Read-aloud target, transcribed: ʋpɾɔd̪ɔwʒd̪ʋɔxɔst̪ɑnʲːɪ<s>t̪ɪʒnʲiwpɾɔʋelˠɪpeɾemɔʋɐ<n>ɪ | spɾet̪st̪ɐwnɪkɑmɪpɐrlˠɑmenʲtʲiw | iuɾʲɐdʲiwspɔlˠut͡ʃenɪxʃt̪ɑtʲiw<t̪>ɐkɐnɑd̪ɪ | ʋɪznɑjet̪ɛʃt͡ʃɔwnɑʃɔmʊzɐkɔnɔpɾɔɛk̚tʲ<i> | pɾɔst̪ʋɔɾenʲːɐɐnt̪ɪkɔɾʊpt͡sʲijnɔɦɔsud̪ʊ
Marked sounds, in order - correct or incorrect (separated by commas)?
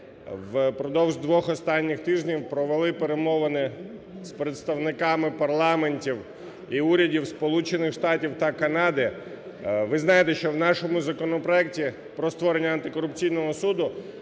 incorrect, correct, correct, correct